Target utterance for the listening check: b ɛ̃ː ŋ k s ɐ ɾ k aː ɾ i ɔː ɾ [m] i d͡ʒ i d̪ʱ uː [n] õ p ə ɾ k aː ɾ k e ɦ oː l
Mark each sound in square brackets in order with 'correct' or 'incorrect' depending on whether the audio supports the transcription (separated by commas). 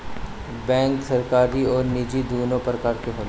incorrect, correct